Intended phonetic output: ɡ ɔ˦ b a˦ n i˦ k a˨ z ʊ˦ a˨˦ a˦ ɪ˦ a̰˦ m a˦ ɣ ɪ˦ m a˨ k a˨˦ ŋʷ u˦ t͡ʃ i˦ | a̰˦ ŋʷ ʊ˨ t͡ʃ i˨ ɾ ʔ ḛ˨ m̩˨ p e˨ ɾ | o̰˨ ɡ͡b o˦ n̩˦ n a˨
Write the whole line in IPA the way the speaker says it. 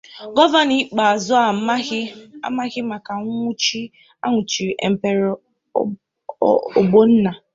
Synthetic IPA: ɡ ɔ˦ v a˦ n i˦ k͡p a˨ z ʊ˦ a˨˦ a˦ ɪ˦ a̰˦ m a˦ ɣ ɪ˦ m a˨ k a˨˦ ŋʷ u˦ t͡ʃ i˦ | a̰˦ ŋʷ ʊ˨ t͡ʃ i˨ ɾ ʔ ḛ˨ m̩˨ p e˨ ɾ | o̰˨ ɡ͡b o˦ n̩˦ n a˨